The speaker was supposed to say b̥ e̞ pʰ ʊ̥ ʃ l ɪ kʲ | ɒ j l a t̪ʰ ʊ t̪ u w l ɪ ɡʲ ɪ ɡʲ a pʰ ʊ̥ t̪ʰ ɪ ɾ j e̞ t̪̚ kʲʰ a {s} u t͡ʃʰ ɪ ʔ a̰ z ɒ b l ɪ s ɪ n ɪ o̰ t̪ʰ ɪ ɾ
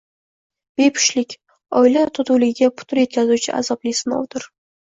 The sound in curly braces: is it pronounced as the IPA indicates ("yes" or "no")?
no